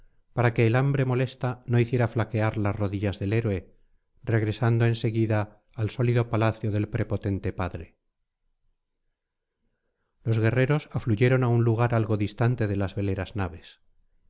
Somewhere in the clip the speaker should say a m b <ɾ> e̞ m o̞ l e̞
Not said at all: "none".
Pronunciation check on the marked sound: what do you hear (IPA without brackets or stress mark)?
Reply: ɾ